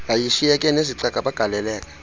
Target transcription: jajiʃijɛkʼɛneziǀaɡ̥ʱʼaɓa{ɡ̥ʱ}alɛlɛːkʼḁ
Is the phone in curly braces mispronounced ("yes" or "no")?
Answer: no